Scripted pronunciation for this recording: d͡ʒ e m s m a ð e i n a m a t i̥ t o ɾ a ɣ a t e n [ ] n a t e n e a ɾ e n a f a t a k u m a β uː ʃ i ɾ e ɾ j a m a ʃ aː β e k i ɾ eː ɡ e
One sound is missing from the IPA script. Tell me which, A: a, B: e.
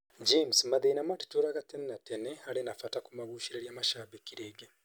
B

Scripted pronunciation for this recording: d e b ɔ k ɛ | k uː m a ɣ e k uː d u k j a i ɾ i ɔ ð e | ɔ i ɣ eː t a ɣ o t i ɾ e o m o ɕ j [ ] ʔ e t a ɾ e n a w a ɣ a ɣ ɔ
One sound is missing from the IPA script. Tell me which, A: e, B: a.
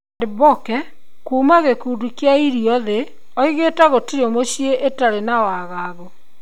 A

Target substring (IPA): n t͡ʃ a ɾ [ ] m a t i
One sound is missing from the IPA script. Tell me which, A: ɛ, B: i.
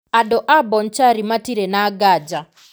B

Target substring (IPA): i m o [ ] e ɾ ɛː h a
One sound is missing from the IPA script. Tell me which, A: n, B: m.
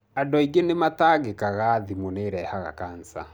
A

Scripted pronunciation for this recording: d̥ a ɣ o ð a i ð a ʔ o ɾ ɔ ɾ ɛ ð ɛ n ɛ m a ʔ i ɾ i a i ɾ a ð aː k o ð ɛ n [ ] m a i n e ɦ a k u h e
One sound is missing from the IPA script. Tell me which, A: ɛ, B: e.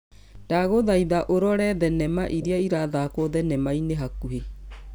A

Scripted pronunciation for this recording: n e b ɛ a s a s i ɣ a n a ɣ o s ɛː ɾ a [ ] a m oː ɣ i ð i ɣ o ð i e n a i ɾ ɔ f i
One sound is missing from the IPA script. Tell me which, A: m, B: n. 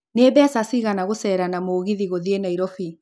B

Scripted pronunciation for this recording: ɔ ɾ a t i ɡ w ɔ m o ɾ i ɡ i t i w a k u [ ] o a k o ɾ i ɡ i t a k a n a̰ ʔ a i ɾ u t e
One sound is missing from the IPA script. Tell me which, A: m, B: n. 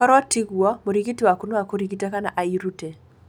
B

